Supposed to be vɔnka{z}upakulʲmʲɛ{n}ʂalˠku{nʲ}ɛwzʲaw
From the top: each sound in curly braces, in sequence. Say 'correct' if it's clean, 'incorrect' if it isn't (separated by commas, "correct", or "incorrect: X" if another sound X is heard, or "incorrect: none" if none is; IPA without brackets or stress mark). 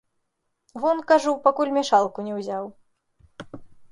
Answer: incorrect: ʐ, incorrect: none, correct